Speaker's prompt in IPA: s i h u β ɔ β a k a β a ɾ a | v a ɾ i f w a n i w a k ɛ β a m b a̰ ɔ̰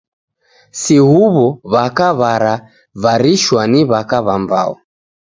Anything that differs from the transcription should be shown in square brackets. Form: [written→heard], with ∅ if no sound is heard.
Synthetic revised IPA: s i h u β ɔ β a k a β a ɾ a | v a ɾ i [f→ʃ] w a n i [w→β] a k [ɛ→a] β a m b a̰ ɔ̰